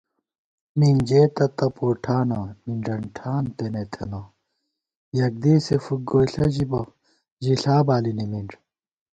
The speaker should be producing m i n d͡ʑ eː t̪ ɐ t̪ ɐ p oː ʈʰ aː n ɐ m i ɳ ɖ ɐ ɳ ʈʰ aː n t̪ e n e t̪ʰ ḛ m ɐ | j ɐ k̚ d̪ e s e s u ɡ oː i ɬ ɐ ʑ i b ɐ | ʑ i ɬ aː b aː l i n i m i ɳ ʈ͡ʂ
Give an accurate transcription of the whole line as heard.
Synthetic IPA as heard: m i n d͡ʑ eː t̪ ɐ t̪ ɐ p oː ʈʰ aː n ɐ m i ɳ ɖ ɐ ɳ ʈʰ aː n t̪ e n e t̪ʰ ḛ n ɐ | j ɐ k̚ d̪ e s e f u ɡ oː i ɬ ɐ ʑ i b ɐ | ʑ i ɬ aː b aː l i n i m i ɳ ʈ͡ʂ